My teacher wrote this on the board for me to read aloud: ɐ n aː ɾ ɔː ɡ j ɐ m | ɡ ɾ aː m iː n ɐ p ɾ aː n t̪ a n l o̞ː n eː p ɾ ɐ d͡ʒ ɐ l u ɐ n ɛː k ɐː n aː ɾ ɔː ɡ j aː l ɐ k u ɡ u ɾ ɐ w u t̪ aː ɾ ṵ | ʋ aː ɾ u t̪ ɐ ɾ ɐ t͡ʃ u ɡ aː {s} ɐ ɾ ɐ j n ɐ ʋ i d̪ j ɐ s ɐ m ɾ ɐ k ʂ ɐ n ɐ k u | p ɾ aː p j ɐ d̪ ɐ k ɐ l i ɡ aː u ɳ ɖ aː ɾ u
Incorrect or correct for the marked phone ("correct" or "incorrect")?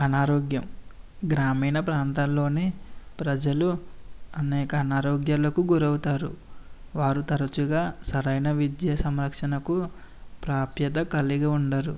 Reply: correct